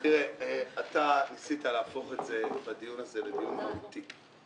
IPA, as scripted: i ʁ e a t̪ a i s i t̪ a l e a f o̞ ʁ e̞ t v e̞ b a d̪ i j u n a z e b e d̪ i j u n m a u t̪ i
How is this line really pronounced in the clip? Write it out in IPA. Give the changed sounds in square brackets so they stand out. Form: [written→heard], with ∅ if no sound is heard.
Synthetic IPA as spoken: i ʁ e a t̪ a i s i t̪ a l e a f o̞ [ʁ→χ] e̞ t [v→z] e̞ b a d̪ i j u n a z e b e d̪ i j u n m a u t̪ i